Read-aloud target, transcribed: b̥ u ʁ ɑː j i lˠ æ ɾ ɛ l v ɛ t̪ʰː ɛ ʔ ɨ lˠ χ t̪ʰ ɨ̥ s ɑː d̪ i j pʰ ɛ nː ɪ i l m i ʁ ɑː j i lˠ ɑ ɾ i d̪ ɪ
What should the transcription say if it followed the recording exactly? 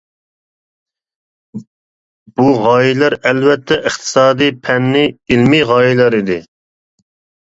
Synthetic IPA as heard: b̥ u ʁ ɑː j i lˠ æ ɾ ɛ l v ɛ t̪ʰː ɛ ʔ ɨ χ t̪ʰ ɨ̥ s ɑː d̪ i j pʰ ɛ nː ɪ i l m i ʁ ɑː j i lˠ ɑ ɾ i d̪ ɪ